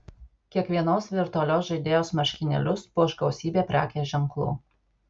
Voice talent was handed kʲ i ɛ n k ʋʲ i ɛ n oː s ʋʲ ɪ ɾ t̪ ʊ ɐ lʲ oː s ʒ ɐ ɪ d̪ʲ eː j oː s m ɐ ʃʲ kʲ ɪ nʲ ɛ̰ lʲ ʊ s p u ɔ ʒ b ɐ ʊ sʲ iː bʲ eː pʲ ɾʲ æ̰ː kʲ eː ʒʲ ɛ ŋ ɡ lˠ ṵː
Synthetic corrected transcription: kʲ i ɛ k ʋʲ i ɛ n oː s ʋʲ ɪ ɾ t̪ ʊ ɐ lʲ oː s ʒ ɐ ɪ d̪ʲ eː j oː s m ɐ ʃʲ kʲ ɪ nʲ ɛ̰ lʲ ʊ s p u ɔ ʒ ɡ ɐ ʊ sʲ iː bʲ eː pʲ ɾʲ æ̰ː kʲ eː ʒʲ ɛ ŋ k lˠ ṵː